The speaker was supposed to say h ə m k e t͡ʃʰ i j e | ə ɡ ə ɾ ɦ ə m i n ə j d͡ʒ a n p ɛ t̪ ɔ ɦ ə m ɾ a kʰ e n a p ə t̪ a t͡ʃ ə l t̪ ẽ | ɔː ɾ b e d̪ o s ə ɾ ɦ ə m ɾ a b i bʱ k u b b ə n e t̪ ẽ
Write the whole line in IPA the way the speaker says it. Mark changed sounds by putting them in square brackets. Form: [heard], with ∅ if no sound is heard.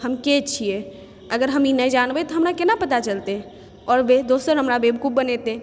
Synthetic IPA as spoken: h ə m k e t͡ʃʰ i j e | ə ɡ ə ɾ ɦ ə m i n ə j d͡ʒ a n [b] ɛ t̪ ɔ ɦ ə m ɾ a [k] e n a p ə t̪ a t͡ʃ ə l t̪ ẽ | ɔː ɾ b e d̪ o s ə ɾ ɦ ə m ɾ a b [e] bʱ k u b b ə n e t̪ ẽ